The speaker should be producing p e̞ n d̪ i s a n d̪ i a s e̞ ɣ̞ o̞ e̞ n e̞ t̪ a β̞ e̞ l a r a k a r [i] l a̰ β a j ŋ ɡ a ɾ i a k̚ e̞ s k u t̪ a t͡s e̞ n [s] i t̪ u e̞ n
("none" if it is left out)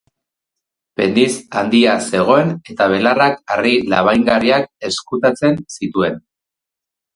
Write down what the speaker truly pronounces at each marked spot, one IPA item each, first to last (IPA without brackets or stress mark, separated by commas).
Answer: i, s